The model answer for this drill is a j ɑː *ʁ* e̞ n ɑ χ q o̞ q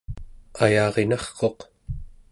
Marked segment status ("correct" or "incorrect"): correct